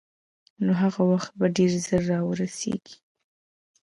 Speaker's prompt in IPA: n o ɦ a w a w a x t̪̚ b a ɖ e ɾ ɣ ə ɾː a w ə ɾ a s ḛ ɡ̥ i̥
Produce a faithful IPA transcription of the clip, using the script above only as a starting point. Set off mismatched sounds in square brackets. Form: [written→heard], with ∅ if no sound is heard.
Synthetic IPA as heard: n o ɦ a [w→ɣ] a w a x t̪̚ b a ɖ e ɾ [ɣ→z] ə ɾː [a→ɑ] w ə ɾ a s ḛ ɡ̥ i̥

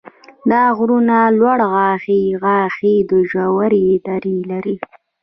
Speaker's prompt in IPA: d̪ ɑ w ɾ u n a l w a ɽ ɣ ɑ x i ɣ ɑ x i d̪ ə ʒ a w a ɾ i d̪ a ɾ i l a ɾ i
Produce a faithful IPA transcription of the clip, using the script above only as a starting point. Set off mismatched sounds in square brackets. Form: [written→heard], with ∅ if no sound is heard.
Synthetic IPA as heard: d̪ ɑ [w→ɣ] ɾ u n a l w a ɽ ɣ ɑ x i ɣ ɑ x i d̪ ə ʒ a w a ɾ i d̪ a ɾ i l a ɾ i

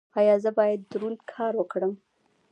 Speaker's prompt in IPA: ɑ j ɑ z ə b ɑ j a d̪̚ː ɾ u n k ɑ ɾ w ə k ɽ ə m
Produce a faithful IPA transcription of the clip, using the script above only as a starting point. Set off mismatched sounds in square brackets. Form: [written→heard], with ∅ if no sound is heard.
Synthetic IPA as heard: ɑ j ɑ z ə b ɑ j a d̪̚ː ɾ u n [k→kʰ] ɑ ɾ w ə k ɽ ə m

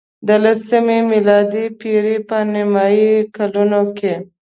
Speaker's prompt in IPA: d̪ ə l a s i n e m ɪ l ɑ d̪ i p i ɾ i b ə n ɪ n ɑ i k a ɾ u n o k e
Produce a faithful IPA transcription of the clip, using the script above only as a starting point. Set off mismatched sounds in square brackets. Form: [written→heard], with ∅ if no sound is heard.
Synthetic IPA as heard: d̪ ə l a s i [n→m] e m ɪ l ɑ d̪ i p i ɾ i [b→p] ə n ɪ [n→m] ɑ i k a [ɾ→l] u n o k e

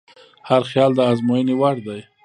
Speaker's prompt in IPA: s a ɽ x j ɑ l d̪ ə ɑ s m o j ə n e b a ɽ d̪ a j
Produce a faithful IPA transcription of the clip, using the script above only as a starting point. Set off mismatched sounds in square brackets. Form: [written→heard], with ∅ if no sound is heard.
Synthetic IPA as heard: [s→h] a [ɽ→ɾ] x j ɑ l d̪ ə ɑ [s→z] m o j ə n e [b→w] a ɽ d̪ a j

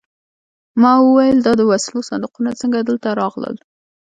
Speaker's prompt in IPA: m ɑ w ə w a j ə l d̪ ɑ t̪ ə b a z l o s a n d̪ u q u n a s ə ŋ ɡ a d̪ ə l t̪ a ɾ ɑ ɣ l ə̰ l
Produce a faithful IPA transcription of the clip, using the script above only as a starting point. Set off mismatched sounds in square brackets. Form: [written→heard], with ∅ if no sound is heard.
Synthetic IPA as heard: m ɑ w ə w a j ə l d̪ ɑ [t̪→d̪] ə [b→w] a [z→s] l o s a n d̪ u q u n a [s→t͡s] ə ŋ ɡ a d̪ ə l t̪ a ɾ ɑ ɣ l ə̰ l

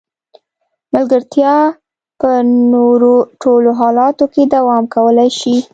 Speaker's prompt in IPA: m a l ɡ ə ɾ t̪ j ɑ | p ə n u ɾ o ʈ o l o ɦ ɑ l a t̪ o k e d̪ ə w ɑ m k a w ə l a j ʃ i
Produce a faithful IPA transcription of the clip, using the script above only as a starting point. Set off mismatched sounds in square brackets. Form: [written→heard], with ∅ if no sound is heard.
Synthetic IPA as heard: m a l ɡ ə ɾ t̪ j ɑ | p ə n [u→o] ɾ o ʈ o l o ɦ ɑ l [a→ɑ] t̪ o k e d̪ [ə→a] w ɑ m k a w ə l a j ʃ i

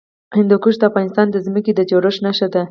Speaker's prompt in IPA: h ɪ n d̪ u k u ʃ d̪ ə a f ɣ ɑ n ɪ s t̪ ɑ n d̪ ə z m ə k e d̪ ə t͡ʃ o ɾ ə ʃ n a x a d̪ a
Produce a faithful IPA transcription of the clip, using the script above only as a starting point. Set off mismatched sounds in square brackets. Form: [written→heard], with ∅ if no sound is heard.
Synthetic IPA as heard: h ɪ n d̪ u k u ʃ d̪ ə a f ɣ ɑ n ɪ s t̪ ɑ n d̪ ə z m ə k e d̪ ə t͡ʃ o ɾ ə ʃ n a [x→ʃ] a d̪ a

